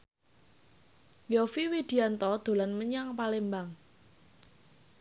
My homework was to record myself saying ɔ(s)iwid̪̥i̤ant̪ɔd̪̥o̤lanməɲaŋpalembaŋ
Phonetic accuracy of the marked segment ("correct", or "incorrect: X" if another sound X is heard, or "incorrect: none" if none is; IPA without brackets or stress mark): incorrect: f